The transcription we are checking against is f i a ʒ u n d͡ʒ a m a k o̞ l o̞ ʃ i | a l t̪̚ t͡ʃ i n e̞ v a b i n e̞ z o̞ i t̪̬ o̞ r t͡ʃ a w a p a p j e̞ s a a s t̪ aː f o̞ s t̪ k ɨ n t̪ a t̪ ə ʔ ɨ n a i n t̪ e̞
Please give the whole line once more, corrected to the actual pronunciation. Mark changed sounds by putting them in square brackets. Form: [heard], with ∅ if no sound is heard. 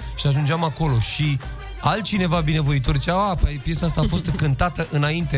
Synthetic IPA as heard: [ʃ] i a ʒ u n d͡ʒ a m a k o̞ l o̞ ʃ i | a l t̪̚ t͡ʃ i n e̞ v a b i n e̞ [v] o̞ i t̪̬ o̞ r t͡ʃ a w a p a p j e̞ s a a s t̪ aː f o̞ s t̪ k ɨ n t̪ a t̪ ə ʔ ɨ n a i n t̪ e̞